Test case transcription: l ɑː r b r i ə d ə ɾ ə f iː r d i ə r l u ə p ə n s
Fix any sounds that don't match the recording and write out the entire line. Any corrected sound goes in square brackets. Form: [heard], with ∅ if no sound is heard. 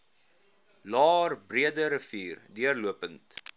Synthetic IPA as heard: l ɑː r b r i ə d ə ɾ ə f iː r d i ə r l u ə p ə n [t]